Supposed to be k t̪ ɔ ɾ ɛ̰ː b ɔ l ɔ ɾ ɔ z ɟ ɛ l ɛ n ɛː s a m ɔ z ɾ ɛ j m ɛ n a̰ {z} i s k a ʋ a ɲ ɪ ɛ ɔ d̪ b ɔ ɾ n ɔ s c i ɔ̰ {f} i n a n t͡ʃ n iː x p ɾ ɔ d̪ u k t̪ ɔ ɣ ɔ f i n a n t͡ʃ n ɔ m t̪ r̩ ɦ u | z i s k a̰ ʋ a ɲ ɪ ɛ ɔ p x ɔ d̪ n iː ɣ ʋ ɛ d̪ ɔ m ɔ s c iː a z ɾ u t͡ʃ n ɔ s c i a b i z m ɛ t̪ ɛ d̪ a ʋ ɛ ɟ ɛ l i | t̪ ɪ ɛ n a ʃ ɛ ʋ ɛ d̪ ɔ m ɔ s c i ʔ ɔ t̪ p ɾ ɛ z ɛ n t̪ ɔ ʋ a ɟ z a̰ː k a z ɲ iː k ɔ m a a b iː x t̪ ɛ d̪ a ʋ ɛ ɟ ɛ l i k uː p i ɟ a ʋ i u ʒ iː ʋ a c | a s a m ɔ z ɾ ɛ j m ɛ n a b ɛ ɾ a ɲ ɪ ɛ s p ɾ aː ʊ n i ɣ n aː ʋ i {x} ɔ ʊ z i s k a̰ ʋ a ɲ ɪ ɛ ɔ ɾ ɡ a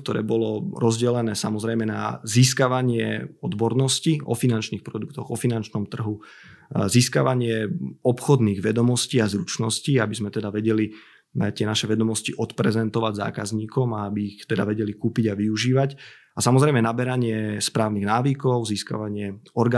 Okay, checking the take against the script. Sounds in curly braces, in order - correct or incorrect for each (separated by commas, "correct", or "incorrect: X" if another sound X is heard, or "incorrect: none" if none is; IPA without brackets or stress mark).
correct, correct, incorrect: k